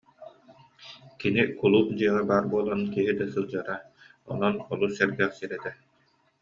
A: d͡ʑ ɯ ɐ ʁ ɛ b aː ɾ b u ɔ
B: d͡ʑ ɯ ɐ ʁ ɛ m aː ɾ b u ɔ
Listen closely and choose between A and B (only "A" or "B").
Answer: A